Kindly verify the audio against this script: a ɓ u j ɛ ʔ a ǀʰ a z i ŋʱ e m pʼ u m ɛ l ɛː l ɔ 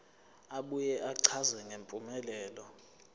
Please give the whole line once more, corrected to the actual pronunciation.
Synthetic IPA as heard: a ɓ u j ɛ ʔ a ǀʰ a z ɛ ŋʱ e m pʼ u m ɛ l ɛː l ɔ